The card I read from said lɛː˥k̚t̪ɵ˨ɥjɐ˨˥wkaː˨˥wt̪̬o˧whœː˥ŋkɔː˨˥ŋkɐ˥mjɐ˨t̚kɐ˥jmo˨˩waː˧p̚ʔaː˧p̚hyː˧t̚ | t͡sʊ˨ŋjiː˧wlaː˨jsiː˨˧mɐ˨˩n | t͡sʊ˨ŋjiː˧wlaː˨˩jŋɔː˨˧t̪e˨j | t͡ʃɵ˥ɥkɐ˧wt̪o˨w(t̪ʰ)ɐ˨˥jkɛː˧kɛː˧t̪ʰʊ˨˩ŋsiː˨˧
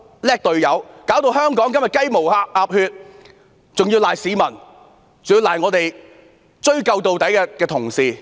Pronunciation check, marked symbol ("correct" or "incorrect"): incorrect